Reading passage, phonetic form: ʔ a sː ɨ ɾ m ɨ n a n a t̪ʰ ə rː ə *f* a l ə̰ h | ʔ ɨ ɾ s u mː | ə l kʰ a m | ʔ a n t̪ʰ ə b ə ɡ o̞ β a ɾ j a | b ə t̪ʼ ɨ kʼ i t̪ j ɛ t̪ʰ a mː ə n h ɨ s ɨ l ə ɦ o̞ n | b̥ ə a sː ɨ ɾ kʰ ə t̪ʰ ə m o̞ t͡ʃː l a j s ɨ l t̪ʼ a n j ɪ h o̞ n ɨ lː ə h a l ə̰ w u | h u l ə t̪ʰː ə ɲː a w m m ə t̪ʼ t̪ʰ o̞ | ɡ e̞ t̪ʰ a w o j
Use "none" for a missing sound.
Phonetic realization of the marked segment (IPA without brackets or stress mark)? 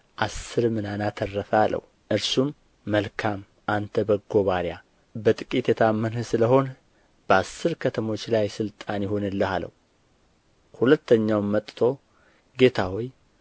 f